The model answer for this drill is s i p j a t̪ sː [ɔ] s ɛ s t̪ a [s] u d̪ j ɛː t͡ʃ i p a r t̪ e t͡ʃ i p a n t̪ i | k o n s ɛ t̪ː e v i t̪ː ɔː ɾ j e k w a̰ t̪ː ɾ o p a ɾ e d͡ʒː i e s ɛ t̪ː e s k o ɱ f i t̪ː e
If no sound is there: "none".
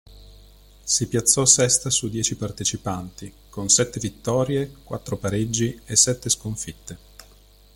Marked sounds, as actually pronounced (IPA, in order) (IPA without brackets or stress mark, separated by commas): ɔ, s